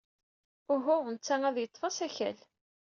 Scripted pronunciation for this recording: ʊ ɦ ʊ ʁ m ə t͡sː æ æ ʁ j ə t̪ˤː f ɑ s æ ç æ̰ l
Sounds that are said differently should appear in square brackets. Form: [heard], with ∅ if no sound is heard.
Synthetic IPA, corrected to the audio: ʊ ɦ ʊ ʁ [n] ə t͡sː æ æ [ð] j ə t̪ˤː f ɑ s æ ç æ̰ l